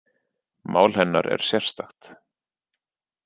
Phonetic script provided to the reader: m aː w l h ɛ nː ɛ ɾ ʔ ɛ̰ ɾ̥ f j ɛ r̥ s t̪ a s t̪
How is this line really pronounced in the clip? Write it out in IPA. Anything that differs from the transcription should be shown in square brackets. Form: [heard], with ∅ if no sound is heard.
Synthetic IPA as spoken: m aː w l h ɛ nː [a] ɾ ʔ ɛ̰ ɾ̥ [s] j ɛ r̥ s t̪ a [x] t̪